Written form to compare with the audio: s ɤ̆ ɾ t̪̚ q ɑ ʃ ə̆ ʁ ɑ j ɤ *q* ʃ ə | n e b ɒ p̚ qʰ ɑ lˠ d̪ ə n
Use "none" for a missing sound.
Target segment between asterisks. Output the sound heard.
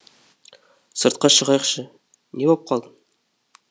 q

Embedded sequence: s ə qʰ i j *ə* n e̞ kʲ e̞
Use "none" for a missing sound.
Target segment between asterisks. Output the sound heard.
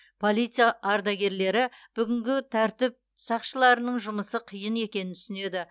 ə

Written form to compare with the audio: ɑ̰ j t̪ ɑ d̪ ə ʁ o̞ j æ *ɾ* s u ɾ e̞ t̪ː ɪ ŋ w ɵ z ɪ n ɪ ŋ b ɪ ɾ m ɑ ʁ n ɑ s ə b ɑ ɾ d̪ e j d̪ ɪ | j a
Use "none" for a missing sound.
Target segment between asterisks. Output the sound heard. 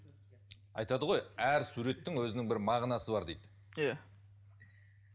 ɾ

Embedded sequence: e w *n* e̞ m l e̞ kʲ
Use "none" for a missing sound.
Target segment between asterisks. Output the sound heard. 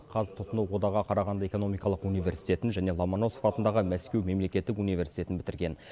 m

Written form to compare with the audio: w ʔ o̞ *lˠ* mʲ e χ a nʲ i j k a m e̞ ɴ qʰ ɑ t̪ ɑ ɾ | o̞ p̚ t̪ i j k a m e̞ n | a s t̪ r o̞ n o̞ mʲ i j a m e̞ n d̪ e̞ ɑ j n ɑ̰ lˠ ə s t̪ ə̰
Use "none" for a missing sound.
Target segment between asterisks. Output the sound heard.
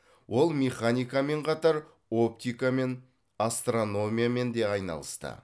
lˠ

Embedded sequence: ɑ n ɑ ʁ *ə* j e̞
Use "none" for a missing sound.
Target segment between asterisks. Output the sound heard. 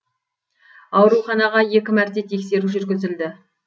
ɑ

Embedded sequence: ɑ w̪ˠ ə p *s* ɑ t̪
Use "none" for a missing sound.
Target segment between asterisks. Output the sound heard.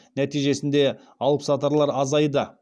s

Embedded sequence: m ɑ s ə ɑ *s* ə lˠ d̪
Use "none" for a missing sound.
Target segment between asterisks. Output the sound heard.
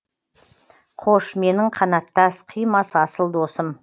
s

